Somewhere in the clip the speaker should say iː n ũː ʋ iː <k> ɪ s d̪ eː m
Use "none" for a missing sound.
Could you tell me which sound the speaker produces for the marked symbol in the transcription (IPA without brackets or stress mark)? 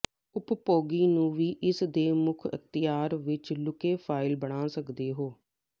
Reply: ʔ